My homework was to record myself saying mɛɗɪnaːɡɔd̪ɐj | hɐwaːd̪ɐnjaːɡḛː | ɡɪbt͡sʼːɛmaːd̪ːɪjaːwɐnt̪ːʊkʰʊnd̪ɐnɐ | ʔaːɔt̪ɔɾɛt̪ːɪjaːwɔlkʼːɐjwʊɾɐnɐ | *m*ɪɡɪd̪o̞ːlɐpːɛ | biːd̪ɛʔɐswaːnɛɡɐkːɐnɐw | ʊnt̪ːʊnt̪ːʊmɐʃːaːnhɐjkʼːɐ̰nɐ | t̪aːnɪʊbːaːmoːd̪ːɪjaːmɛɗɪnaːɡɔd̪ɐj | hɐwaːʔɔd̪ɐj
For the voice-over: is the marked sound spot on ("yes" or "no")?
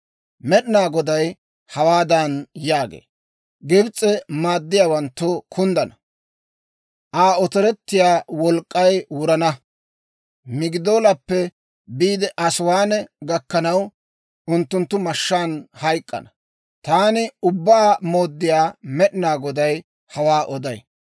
yes